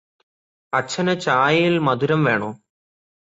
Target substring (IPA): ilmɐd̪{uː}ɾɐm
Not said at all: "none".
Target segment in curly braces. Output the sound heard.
u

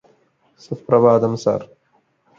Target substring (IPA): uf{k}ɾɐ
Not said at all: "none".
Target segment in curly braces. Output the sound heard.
p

